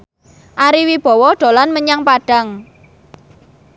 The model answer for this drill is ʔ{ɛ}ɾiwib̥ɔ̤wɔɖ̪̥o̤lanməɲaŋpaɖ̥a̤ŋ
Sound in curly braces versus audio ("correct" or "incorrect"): incorrect